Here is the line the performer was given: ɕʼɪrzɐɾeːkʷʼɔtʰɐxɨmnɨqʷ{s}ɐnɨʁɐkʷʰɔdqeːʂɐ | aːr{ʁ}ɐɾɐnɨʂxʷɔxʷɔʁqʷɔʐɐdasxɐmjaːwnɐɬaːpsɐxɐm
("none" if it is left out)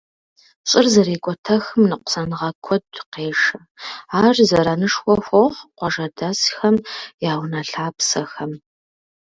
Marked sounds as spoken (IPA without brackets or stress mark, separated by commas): s, z